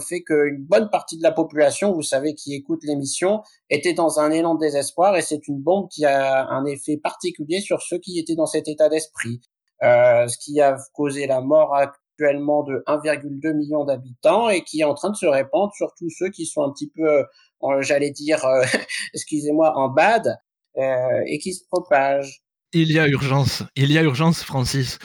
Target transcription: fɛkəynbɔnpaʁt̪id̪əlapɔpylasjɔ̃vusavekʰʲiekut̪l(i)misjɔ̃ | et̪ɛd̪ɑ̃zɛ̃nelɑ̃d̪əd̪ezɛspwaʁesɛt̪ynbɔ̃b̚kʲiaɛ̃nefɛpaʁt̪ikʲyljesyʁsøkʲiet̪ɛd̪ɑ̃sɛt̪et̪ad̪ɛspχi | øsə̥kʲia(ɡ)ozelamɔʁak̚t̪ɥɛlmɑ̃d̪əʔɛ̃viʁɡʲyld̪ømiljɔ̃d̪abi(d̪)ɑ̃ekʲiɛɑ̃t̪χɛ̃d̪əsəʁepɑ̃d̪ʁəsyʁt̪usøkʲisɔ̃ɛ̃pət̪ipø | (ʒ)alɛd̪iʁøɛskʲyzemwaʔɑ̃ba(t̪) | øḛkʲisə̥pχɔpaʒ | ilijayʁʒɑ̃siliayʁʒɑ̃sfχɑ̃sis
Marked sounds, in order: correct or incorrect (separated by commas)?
incorrect, incorrect, incorrect, correct, incorrect